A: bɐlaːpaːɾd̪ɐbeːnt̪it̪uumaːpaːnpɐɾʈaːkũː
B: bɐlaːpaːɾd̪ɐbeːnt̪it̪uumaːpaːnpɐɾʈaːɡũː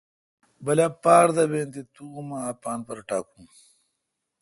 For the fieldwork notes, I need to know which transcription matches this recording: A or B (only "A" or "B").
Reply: A